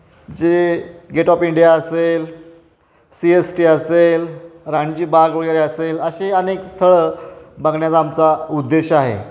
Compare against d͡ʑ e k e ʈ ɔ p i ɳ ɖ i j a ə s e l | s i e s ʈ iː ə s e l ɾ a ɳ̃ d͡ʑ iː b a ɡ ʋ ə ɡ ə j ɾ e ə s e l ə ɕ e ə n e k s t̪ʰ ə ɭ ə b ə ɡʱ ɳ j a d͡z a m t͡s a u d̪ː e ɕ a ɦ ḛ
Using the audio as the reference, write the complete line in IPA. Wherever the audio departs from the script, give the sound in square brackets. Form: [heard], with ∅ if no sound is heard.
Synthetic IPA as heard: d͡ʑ e [ɡ] e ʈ ɔ p i ɳ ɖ i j a ə s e l | s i e s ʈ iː ə s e l ɾ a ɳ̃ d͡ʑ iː b a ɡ ʋ ə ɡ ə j ɾ e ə s e l ə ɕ e ə n e k s t̪ʰ ə ɭ ə b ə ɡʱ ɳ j a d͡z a m t͡s a u d̪ː e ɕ a ɦ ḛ

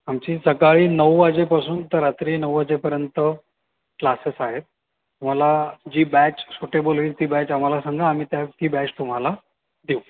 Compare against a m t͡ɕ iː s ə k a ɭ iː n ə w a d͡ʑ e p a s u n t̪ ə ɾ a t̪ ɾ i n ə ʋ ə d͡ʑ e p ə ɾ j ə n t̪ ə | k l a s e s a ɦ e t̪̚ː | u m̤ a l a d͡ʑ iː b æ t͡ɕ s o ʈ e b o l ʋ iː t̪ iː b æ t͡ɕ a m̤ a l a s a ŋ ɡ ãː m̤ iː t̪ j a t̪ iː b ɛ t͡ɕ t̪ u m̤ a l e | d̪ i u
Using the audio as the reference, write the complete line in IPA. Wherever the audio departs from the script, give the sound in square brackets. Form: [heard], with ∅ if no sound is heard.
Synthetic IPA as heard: a m t͡ɕ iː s ə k a ɭ iː n ə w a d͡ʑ e p a s [uː] n t̪ ə ɾ a t̪ ɾ i n ə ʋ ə d͡ʑ e p ə ɾ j ə n t̪ ə | k l a s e s a ɦ e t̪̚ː | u m̤ a l a d͡ʑ iː b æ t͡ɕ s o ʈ e b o l ʋ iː t̪ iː b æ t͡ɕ a m̤ a l a s a ŋ ɡ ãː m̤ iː t̪ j a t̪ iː b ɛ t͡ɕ t̪ u m̤ a l [a] | d̪ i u

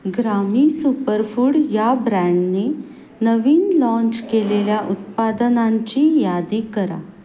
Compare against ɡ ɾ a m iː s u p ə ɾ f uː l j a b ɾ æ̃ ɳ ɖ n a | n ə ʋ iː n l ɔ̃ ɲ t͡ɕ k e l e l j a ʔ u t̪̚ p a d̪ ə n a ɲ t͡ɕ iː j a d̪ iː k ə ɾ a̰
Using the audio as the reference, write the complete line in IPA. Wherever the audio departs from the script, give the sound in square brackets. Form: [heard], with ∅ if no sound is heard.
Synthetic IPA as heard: ɡ ɾ a m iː s u p ə ɾ f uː [ɽ] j a b ɾ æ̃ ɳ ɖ n [e] | n ə ʋ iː n l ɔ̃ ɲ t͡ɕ k e l e l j a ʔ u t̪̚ p a d̪ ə n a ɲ t͡ɕ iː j a d̪ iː k ə ɾ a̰

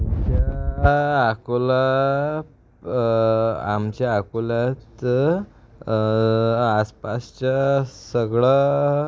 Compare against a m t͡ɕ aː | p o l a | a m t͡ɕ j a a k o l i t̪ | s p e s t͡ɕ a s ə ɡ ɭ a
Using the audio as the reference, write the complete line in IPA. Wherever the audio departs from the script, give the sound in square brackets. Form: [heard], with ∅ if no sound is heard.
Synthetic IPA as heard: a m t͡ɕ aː | [k] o l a | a m t͡ɕ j a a k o l [a] t̪ | s p [a] s t͡ɕ a s ə ɡ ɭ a

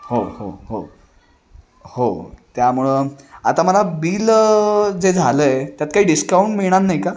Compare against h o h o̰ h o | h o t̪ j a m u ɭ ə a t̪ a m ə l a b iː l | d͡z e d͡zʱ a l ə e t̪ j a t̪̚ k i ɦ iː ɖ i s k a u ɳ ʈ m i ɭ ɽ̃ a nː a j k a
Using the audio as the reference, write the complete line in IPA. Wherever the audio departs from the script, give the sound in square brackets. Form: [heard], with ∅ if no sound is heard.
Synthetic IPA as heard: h o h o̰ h o | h o t̪ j a m u ɭ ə a t̪ a m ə l a b iː l | d͡z e d͡zʱ a l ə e t̪ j a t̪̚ k [a] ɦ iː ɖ i s k a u ɳ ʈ m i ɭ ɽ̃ a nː a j k a

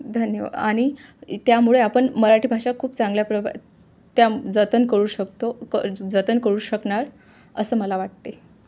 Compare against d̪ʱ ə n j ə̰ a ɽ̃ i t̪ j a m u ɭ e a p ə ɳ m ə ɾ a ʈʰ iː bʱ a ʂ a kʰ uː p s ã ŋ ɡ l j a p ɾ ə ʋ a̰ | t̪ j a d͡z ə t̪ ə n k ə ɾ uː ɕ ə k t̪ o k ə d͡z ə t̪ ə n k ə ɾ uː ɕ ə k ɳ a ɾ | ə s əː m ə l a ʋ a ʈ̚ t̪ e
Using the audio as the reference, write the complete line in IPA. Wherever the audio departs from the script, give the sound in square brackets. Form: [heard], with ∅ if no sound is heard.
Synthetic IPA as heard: d̪ʱ ə n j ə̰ a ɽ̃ i t̪ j a m u ɭ e a p ə ɳ m ə ɾ a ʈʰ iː bʱ a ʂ a kʰ uː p [t͡s] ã ŋ ɡ l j a p ɾ ə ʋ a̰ | t̪ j a d͡z ə t̪ ə n k ə ɾ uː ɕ ə k t̪ o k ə d͡z ə t̪ ə n k ə ɾ uː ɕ ə k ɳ a ɾ | ə s əː m ə l a ʋ a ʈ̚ t̪ e

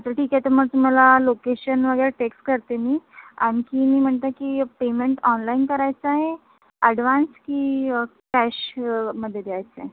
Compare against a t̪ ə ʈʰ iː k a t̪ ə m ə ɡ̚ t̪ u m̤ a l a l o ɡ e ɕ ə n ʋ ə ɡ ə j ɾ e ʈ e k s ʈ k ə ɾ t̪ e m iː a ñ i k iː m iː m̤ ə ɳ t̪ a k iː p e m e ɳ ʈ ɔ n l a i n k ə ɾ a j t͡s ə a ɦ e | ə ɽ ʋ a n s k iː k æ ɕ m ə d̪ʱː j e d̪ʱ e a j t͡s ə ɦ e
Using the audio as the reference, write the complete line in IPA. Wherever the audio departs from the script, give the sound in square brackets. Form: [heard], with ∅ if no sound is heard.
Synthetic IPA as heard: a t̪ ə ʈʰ iː k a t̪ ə m ə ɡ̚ t̪ u m̤ a l a l o [k] e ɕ ə n ʋ ə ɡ ə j ɾ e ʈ e k s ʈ k ə ɾ t̪ e m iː a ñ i k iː m iː m̤ ə ɳ t̪ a k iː p e m e ɳ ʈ ɔ n l a i n k ə ɾ a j t͡s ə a ɦ e | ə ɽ ʋ a n s k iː k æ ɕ m ə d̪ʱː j e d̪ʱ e a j t͡s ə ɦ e

